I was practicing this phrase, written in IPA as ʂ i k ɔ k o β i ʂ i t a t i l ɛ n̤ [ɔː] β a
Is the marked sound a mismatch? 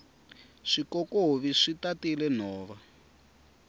no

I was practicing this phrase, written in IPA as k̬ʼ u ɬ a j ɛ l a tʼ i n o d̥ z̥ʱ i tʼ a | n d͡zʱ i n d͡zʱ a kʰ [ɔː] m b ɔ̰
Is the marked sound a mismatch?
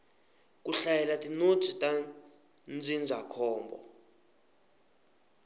no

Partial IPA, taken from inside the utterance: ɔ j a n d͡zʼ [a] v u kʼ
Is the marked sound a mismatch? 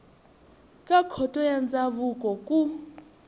no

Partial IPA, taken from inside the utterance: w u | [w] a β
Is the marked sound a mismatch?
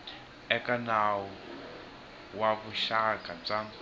no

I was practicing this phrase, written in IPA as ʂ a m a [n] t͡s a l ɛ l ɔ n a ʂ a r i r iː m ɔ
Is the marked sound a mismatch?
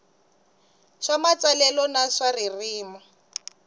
yes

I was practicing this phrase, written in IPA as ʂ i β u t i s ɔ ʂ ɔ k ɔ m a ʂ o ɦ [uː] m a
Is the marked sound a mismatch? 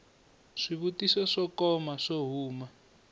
no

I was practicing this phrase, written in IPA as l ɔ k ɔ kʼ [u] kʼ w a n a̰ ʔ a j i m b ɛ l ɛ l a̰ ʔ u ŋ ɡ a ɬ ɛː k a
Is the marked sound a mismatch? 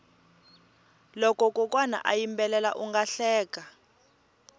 yes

